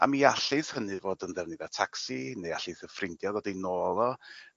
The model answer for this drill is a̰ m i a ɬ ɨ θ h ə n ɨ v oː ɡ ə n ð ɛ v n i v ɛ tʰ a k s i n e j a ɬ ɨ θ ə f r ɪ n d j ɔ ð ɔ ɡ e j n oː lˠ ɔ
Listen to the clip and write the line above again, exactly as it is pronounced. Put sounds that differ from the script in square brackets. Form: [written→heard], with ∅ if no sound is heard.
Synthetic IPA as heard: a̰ m i a ɬ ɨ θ h ə n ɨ v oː [ɡ→d] ə n ð ɛ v n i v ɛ tʰ a k s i n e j a ɬ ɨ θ ə f r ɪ n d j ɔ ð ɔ [ɡ→d] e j n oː lˠ ɔ